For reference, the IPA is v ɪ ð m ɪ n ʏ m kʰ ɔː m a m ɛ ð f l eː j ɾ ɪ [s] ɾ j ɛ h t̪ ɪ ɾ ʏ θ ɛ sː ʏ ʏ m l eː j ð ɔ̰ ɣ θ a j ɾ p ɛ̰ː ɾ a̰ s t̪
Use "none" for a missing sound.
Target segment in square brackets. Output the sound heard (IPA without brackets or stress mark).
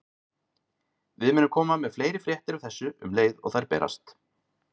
f